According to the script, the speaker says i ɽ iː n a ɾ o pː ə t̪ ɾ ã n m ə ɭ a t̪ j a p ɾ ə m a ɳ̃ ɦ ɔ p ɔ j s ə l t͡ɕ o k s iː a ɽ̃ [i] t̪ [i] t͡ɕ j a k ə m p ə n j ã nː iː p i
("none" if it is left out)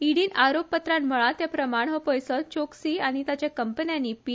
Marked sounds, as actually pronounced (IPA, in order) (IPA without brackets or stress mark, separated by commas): i, a